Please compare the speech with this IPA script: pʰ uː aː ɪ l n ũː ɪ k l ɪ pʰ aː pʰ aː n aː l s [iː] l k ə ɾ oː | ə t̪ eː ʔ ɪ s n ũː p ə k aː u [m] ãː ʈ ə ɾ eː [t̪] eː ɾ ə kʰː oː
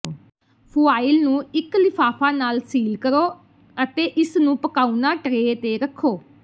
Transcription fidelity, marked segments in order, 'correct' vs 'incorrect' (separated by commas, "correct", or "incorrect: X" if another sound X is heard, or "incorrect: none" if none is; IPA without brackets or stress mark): correct, incorrect: n, correct